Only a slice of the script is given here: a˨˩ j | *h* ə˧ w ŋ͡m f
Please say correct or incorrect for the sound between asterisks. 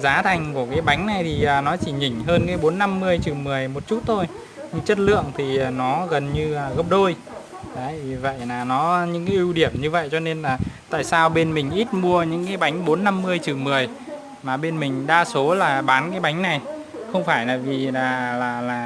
incorrect: x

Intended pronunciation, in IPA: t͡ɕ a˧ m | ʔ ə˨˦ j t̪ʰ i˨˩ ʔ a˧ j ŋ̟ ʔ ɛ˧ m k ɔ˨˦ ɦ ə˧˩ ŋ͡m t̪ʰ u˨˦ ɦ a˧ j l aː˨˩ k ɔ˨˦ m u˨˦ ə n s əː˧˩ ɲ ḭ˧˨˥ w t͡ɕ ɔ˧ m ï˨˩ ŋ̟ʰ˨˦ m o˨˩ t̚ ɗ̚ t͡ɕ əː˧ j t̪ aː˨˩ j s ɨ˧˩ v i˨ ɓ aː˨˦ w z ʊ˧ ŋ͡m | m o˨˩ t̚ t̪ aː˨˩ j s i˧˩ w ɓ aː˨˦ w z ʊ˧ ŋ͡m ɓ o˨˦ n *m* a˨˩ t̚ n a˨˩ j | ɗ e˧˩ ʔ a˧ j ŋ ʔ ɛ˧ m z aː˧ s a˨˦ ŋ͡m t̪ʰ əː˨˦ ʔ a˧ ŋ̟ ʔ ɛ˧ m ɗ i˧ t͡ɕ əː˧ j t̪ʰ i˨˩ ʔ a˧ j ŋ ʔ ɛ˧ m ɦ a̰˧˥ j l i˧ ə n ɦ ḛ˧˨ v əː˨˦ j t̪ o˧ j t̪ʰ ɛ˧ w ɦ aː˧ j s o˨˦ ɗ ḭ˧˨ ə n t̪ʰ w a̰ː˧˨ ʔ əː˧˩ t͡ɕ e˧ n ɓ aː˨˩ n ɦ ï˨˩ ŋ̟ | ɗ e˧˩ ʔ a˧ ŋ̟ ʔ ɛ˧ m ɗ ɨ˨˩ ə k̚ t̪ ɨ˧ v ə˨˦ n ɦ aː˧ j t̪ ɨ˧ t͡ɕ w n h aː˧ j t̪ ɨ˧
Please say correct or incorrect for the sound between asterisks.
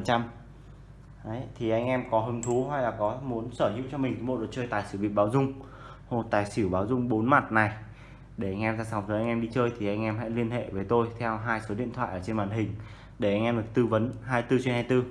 correct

